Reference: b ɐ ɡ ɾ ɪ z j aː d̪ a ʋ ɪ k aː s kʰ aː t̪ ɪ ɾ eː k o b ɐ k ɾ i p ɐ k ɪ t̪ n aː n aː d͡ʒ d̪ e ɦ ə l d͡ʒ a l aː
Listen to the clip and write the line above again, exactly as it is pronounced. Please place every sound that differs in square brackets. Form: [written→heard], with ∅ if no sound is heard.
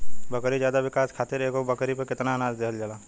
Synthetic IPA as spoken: b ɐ [ɡ→k] ɾ [ɪ→i] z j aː d̪ a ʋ ɪ k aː s kʰ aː t̪ ɪ ɾ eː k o b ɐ k ɾ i p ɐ k ɪ t̪ n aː n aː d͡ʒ d̪ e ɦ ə l d͡ʒ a l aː